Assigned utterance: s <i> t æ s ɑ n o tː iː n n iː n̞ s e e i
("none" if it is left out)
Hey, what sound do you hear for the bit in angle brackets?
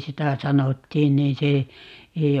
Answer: i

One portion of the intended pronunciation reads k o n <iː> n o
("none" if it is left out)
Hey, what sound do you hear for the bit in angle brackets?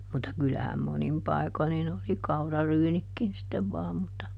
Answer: i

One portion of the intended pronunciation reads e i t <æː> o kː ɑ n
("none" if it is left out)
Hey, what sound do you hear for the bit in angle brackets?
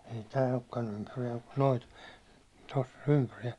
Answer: æː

